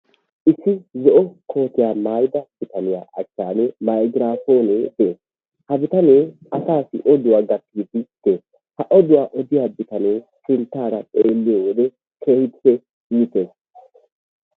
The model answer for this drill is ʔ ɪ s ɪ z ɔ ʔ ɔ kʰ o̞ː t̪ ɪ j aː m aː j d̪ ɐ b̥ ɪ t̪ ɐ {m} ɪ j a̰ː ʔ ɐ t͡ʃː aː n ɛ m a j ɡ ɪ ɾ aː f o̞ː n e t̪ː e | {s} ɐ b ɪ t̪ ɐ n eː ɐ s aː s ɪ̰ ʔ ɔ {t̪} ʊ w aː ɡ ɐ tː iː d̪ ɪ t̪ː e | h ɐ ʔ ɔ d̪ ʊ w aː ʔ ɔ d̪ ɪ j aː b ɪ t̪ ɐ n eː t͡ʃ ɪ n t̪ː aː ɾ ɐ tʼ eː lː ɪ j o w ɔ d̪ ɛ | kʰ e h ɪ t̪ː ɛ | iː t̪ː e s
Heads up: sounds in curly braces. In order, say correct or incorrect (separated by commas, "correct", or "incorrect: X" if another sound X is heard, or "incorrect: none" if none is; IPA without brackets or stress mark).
incorrect: n, incorrect: h, incorrect: d̪